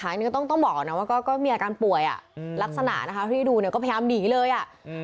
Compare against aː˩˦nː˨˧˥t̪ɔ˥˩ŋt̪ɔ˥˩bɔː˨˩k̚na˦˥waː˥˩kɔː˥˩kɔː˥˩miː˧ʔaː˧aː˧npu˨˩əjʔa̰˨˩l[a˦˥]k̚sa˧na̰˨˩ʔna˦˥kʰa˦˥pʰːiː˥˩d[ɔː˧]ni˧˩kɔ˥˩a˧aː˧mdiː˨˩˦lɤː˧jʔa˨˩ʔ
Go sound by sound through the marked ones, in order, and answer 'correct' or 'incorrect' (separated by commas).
correct, incorrect